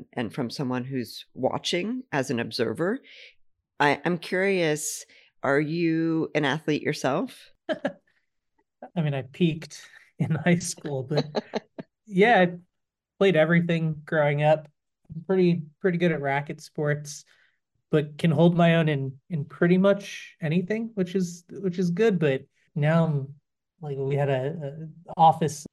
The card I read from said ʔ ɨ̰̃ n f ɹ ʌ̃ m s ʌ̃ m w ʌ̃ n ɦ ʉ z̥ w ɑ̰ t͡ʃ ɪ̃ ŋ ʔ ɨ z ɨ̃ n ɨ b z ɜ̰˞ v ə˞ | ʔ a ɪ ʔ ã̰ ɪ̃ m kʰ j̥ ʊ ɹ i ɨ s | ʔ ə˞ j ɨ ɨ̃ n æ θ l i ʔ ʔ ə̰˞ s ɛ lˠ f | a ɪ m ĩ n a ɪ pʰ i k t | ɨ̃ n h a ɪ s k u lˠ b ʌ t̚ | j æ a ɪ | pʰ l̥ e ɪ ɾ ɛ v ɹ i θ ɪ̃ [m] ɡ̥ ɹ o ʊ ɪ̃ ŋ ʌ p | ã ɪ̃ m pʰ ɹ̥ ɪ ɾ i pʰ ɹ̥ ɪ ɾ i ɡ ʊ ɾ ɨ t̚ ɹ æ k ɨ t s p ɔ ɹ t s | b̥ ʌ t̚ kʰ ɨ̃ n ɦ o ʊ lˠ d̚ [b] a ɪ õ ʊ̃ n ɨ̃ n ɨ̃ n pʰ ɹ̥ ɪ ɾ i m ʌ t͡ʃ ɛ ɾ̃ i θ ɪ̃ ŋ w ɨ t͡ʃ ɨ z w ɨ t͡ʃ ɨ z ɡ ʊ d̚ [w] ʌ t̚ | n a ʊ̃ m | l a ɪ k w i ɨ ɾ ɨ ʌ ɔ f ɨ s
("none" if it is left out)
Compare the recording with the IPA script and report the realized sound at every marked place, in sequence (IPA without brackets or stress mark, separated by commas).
ŋ, m, b